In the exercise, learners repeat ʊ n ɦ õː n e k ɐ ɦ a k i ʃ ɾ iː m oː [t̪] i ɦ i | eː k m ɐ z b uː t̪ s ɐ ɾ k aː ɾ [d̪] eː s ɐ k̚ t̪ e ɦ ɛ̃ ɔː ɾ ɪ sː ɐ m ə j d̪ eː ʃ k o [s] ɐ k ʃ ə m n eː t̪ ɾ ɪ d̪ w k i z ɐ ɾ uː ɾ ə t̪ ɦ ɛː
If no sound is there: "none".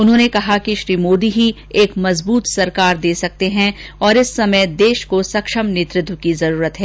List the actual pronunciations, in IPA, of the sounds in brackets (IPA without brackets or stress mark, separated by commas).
d̪, d̪, s